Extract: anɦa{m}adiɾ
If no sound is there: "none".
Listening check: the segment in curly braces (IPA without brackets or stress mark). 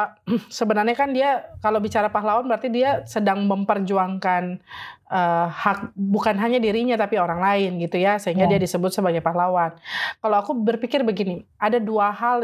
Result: ɲ